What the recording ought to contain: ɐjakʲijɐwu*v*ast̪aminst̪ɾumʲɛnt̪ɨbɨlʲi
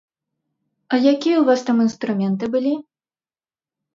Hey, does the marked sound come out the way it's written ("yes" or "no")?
yes